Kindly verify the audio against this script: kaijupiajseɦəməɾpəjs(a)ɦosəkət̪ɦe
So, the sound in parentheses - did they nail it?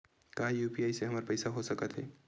yes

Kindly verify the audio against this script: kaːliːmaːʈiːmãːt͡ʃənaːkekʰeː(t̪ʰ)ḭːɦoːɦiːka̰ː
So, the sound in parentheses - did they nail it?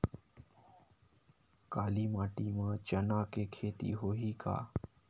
no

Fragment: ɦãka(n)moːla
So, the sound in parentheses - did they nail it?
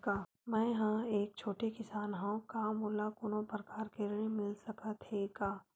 no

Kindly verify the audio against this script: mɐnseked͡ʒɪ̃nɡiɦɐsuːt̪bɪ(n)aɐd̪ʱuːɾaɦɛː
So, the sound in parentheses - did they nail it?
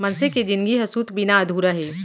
yes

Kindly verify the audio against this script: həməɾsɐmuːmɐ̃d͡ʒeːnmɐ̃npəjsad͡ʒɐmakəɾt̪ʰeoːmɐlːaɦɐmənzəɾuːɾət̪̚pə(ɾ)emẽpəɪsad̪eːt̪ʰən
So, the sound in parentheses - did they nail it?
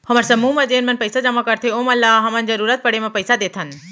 no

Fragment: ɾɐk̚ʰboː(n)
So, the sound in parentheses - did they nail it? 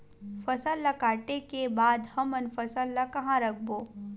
no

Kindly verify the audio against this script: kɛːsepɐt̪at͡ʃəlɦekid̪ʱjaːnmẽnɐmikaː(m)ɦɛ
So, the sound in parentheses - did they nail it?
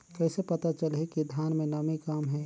yes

